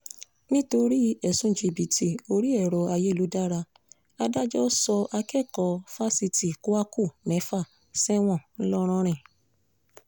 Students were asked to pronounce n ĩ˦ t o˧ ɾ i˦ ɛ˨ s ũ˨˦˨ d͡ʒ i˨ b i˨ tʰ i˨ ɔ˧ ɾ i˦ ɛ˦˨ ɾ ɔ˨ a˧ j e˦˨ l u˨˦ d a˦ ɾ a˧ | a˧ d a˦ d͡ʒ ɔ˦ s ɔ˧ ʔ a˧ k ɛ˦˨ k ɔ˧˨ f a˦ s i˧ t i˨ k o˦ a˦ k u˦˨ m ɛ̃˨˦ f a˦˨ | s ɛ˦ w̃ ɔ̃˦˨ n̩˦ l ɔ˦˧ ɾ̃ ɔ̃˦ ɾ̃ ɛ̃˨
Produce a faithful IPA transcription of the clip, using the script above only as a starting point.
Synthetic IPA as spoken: n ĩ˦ t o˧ ɾ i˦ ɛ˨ s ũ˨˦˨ d͡ʒ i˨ b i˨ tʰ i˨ o˧ ɾ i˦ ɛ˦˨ ɾ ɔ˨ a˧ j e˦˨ l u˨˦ d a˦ ɾ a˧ | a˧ d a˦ d͡ʒ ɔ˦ s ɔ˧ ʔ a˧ k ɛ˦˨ k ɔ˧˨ f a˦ s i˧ t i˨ k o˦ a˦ k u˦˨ m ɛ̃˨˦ f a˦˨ | s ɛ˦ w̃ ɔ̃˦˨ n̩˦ l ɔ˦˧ ɾ̃ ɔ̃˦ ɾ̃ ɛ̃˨

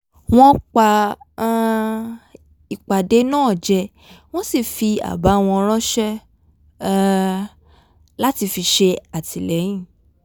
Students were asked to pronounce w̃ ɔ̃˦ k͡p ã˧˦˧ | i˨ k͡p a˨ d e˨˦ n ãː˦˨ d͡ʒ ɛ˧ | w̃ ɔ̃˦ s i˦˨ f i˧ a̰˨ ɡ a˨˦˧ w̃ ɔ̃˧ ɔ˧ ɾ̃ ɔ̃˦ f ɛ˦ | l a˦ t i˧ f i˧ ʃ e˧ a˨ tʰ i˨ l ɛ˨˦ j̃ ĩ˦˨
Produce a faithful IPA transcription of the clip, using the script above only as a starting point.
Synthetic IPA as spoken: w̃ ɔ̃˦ k͡p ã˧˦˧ | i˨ k͡p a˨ d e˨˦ n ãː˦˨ d͡ʒ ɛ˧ | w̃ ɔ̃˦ s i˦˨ f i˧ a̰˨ b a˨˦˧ w̃ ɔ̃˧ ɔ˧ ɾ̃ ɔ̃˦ ʃ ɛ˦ | l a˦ t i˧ f i˧ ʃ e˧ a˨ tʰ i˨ l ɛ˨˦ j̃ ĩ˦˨

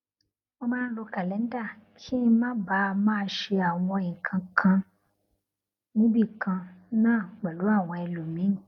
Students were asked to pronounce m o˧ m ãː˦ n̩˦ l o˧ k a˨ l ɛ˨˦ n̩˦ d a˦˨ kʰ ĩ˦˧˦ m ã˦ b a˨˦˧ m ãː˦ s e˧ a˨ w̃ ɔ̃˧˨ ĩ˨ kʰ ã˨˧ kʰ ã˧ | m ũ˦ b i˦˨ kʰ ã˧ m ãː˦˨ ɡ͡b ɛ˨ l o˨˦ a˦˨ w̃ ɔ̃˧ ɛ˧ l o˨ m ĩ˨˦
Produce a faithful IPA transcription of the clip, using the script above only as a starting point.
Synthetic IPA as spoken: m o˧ m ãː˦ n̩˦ l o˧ k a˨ l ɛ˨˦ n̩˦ d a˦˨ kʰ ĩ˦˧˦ m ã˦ b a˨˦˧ m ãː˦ ʃ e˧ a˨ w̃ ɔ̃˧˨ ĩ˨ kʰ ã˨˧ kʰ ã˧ | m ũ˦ b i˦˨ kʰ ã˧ n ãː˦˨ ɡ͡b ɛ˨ l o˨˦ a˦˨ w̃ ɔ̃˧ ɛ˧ l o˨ m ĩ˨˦

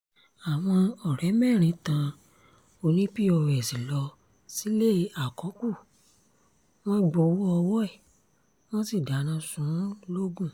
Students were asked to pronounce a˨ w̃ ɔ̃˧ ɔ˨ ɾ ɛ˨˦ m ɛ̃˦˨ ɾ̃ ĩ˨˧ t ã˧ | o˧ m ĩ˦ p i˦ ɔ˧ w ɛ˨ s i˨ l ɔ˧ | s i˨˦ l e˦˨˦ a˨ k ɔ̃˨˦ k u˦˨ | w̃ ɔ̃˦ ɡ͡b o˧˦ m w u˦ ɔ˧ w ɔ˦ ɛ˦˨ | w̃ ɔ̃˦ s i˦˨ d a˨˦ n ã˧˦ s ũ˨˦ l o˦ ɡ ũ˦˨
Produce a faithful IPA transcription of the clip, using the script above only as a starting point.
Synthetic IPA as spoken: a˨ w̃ ɔ̃˧ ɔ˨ ɾ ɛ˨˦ m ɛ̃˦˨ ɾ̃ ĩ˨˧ t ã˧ | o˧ n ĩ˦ p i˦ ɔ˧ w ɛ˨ s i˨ l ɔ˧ | s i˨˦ l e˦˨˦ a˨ k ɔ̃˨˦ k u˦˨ | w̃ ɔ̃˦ ɡ͡b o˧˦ w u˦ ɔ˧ w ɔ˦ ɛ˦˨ | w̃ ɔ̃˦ s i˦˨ d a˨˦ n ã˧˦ s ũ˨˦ l o˦ ɡ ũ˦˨

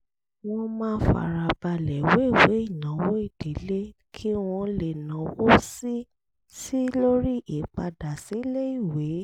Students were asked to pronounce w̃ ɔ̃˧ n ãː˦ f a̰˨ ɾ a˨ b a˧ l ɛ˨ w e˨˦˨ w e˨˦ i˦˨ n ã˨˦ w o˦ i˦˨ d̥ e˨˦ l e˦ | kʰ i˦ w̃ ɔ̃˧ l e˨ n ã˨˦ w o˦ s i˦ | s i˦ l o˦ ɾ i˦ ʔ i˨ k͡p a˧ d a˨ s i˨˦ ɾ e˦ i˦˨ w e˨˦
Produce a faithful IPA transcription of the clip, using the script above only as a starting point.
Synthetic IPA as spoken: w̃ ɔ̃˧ m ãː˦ f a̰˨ ɾ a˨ b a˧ l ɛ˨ w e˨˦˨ w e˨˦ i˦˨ n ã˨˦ w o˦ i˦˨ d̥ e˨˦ l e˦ | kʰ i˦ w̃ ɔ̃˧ l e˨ n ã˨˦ w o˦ s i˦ | s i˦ l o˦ ɾ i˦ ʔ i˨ k͡p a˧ d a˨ s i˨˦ l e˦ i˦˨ w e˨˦

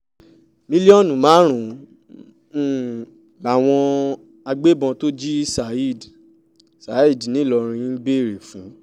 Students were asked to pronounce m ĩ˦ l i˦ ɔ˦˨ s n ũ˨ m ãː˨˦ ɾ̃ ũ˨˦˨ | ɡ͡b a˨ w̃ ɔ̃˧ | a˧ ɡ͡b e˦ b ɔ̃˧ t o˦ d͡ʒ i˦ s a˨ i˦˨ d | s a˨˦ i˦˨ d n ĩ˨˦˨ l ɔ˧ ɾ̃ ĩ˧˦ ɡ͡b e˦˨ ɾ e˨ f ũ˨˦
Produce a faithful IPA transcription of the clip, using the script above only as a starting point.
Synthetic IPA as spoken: m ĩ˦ l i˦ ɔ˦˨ n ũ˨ m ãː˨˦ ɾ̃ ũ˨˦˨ | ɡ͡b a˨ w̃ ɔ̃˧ | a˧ ɡ͡b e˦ b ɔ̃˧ t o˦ d͡ʒ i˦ s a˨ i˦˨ d | s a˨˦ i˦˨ d n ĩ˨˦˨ l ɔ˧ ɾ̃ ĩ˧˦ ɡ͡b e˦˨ ɾ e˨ f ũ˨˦

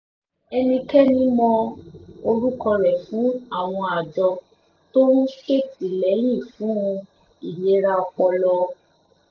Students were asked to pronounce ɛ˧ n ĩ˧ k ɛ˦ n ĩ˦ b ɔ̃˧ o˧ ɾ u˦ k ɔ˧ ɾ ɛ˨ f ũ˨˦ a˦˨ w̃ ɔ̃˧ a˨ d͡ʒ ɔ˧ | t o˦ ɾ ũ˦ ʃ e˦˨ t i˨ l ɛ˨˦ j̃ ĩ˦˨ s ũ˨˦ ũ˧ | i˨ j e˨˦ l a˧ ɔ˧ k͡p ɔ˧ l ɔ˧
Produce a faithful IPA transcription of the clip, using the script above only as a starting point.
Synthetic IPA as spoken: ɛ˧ n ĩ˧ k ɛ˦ n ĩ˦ m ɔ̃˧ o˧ ɾ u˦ k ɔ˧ ɾ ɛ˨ f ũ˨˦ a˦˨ w̃ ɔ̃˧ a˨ d͡ʒ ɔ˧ | t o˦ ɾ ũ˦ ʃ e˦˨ t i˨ l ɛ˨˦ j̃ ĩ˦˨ f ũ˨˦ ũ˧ | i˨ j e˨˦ ɾ a˧ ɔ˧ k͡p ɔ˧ l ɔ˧

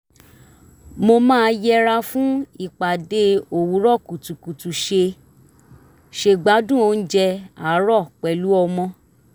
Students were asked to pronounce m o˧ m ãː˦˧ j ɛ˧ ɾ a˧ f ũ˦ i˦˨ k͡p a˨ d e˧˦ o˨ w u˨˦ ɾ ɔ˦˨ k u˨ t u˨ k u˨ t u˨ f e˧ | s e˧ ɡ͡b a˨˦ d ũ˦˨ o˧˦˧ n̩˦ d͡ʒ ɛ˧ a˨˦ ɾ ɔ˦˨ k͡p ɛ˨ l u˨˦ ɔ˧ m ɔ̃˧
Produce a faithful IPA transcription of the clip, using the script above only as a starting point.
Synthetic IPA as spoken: m o˧ m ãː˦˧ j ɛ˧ ɾ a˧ f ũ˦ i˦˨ k͡p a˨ d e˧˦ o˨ w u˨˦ ɾ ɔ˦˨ k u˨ t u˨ k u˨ t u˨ ʃ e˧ | ʃ e˧ ɡ͡b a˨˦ d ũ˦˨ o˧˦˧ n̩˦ d͡ʒ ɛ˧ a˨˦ ɾ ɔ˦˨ k͡p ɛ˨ l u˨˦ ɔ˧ m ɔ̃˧

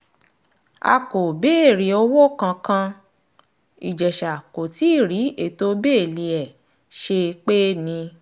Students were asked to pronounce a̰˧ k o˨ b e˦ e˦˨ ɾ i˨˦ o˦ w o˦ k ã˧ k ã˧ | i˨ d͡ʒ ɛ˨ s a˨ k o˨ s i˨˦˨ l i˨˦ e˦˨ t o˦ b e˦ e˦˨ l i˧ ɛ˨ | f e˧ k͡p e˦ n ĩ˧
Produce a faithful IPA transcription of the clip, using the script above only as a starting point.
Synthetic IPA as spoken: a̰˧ k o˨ b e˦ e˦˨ ɾ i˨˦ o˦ w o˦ k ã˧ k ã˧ | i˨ d͡ʒ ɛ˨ ʃ a˨ k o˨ t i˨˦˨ ɾ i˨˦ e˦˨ t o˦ b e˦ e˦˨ l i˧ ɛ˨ | ʃ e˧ k͡p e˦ n ĩ˧

